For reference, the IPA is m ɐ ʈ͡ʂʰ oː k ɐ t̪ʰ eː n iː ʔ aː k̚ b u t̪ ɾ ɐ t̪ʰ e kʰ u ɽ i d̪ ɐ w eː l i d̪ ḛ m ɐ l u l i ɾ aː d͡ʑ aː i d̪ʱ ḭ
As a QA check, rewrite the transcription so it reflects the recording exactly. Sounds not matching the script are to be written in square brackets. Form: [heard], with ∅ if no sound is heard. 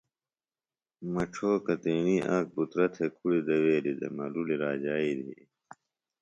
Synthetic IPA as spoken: m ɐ ʈ͡ʂʰ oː k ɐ [t̪] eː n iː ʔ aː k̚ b u t̪ ɾ ɐ t̪ʰ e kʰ u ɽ i d̪ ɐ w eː l i d̪ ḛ m ɐ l u l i ɾ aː d͡ʑ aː i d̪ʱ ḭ